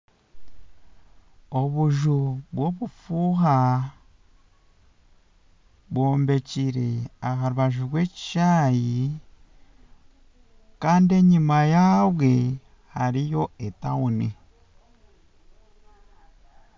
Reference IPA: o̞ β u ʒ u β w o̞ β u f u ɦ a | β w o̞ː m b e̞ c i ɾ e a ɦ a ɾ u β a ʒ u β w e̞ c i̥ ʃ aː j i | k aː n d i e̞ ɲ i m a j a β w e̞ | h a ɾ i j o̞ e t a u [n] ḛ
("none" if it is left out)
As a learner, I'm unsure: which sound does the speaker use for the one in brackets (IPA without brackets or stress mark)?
n